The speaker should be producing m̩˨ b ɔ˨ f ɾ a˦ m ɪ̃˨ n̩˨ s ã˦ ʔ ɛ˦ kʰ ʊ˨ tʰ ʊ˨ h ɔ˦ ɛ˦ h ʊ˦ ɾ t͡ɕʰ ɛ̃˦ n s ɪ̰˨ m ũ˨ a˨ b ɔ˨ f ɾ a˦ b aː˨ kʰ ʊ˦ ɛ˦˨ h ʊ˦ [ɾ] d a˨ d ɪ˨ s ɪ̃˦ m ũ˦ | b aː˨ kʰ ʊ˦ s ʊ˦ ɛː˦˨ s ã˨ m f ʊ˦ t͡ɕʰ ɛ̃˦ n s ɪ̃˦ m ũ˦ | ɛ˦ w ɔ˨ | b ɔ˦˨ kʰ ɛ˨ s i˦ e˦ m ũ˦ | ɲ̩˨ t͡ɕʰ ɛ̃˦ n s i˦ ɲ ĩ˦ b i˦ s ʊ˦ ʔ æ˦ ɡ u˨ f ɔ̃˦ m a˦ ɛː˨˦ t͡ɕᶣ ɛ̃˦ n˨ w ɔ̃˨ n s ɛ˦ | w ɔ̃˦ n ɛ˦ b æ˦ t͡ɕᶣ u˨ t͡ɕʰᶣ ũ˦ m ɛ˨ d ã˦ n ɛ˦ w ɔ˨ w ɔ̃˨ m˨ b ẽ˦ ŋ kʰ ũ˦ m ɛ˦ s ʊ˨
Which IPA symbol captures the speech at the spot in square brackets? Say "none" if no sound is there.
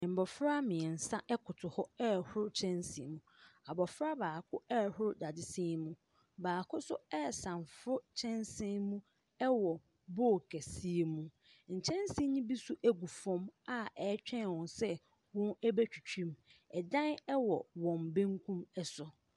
ɾ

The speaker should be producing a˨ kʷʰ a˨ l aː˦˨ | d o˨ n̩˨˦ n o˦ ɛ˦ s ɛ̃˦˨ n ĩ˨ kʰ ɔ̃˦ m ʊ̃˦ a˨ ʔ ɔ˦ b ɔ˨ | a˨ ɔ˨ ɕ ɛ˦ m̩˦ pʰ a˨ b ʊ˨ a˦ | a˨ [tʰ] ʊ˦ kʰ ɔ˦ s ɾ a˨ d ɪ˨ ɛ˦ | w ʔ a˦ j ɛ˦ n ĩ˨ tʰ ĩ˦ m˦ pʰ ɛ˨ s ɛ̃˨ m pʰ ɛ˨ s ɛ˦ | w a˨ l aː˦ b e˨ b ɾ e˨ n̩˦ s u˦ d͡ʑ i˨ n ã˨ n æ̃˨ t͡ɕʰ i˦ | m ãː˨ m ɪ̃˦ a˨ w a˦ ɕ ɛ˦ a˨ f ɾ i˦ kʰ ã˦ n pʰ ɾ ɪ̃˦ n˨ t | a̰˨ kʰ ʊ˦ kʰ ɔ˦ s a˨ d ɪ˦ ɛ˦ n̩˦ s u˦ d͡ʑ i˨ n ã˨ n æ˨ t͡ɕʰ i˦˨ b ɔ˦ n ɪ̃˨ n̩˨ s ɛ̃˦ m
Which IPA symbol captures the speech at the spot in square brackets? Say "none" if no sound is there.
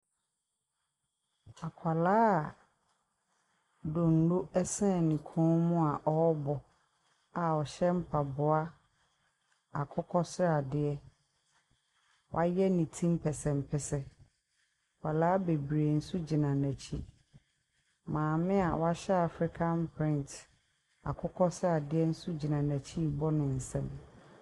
kʰ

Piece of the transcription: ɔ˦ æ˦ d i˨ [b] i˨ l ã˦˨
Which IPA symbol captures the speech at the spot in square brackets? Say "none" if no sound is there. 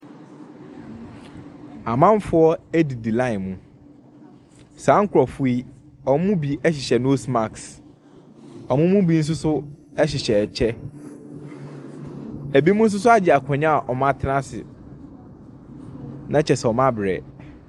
d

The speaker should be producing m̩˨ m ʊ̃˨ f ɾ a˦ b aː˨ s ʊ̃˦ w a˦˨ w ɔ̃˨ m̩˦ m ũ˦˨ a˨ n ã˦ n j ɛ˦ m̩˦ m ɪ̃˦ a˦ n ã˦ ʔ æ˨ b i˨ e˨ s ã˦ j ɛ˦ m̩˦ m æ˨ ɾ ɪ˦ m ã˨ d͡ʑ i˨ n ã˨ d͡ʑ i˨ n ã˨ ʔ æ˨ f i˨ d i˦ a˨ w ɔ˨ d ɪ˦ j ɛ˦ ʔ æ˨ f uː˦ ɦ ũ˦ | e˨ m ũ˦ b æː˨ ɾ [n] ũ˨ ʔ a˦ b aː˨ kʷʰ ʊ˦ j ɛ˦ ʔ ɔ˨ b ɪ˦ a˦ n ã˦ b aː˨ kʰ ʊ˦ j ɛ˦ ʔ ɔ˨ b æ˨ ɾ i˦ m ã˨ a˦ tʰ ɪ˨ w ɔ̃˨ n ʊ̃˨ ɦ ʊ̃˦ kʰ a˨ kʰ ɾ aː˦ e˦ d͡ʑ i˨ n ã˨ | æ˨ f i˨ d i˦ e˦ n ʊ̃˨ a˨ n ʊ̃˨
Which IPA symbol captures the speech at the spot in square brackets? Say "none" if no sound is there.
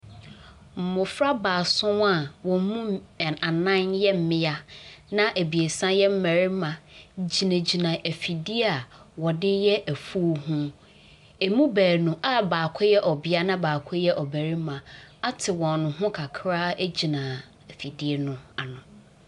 n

